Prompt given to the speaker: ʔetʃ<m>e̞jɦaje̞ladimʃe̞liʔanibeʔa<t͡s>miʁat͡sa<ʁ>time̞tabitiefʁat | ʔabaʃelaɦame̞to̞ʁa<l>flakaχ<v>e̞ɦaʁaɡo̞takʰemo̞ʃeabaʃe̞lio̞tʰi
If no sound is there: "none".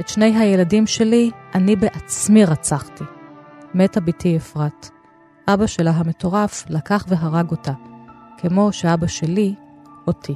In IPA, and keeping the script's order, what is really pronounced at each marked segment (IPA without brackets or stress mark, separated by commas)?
n, t͡s, χ, none, v